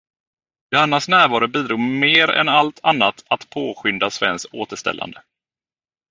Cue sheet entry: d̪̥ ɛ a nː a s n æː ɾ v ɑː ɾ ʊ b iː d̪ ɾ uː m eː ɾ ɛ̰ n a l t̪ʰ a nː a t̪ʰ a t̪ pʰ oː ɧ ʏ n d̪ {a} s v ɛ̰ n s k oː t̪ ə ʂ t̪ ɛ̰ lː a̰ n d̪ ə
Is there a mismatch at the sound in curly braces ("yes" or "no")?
no